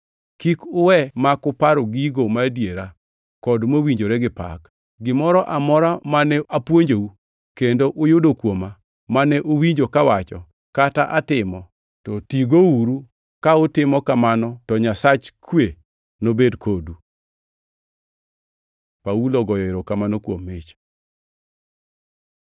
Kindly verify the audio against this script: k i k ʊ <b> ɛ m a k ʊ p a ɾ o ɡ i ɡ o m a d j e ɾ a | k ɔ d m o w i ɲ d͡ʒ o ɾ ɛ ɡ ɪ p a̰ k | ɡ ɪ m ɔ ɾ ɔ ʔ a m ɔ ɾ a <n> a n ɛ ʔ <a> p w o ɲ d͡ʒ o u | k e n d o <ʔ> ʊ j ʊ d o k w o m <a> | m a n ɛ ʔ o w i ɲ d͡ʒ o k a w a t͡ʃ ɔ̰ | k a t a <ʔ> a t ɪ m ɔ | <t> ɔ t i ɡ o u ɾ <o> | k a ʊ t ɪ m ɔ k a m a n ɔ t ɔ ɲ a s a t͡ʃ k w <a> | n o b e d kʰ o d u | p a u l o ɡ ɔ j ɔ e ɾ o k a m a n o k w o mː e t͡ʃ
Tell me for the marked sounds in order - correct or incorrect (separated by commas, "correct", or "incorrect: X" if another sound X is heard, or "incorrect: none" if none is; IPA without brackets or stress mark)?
incorrect: w, incorrect: m, correct, correct, correct, correct, correct, incorrect: u, incorrect: e